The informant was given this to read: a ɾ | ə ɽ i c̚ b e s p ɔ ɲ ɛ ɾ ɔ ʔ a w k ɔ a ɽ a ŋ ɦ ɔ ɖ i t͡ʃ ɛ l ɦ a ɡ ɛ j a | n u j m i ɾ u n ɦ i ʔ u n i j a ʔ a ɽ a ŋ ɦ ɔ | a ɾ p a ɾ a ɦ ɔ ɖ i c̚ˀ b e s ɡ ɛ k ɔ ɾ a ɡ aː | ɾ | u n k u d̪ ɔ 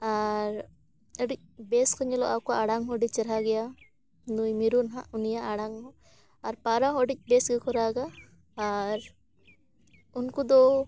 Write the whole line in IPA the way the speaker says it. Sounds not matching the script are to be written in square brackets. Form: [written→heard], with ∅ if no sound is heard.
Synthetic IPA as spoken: a ɾ | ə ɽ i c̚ b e s [p→k] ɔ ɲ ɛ [ɾ→l] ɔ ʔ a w k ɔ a ɽ a ŋ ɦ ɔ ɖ i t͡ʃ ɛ [l→ɾ] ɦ a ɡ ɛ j a | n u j m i ɾ u n ɦ [i→a] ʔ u n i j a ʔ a ɽ a ŋ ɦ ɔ | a ɾ p a ɾ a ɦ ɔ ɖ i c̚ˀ b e s ɡ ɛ k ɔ ɾ a ɡ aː | ɾ | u n k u d̪ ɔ